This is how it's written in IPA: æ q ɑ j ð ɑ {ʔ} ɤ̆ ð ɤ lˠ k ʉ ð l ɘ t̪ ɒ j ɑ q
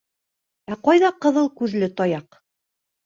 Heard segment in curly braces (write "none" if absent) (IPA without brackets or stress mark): q